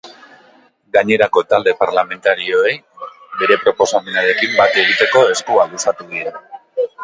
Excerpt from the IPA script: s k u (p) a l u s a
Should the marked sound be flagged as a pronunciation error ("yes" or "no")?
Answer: yes